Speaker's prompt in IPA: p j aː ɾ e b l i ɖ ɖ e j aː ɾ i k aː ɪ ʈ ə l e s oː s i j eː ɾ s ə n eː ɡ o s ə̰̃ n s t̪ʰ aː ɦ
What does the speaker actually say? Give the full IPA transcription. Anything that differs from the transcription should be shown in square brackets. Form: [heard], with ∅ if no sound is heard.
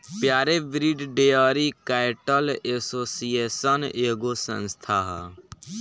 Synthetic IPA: p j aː ɾ e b [ɾ] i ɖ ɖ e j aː ɾ i k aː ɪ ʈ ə l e s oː s i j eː [∅] s ə n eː ɡ o s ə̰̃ n s t̪ʰ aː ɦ